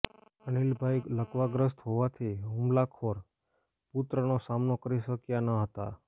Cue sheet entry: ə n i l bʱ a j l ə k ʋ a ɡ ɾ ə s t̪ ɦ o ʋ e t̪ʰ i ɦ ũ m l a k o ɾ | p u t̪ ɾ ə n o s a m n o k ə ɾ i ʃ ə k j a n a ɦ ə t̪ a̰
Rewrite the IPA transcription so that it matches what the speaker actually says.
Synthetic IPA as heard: ə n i l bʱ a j l ə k ʋ a ɡ ɾ ə s t̪ ɦ o ʋ a t̪ʰ i ɦ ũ m l a kʰ o ɾ | p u t̪ ɾ ə n o s a m n o k ə ɾ i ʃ ə k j a n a ɦ ə t̪ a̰